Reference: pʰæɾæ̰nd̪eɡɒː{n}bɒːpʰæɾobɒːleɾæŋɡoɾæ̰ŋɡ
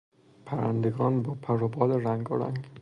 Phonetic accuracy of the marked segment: correct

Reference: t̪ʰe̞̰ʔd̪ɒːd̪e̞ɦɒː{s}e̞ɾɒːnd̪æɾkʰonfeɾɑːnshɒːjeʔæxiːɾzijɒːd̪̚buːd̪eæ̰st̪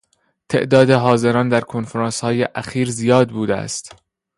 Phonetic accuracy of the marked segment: incorrect: z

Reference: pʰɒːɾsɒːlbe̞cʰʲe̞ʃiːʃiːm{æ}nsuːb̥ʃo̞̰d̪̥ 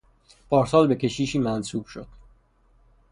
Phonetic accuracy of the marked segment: correct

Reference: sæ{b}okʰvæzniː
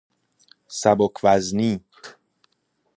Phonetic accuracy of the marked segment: correct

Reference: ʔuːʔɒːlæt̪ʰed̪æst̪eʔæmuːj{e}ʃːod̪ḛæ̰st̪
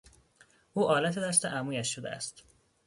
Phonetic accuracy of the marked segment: incorrect: æ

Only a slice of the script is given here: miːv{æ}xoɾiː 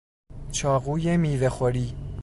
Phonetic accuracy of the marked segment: incorrect: e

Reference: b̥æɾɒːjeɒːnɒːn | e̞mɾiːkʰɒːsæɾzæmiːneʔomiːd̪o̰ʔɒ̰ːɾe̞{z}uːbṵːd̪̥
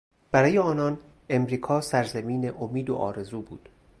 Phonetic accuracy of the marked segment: correct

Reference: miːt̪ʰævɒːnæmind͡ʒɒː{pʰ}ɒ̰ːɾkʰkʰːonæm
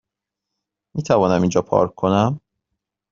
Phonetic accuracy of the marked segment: correct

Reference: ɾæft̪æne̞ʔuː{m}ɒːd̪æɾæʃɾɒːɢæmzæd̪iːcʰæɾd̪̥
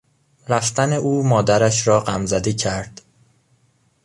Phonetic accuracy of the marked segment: correct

